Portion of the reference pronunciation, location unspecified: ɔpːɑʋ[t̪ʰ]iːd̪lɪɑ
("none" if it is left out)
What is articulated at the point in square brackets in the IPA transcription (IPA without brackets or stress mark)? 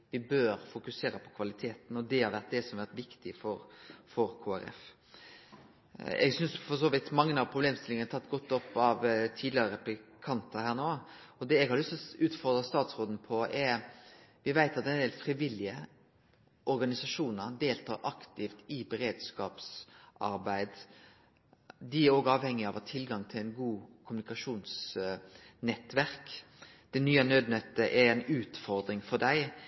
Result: t̪ʰ